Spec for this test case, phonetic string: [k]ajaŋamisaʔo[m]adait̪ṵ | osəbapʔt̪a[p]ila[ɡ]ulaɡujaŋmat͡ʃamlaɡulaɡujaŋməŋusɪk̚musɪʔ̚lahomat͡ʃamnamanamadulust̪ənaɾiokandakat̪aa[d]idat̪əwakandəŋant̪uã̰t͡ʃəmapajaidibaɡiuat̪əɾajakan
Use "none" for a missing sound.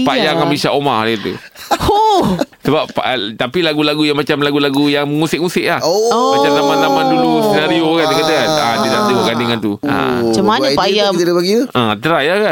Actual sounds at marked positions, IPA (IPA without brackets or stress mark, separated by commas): p, m, p, ɡ, d